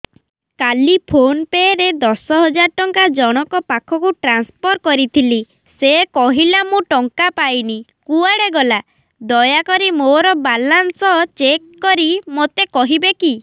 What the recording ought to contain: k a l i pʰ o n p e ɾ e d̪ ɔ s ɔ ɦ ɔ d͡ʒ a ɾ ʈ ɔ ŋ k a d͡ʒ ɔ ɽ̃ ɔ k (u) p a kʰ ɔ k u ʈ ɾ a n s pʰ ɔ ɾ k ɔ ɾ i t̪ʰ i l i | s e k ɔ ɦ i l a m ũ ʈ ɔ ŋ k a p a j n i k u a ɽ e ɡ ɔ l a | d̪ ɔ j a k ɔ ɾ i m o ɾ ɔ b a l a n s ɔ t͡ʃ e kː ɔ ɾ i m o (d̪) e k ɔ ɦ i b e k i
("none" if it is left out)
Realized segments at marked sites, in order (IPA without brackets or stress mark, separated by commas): ɔ, t̪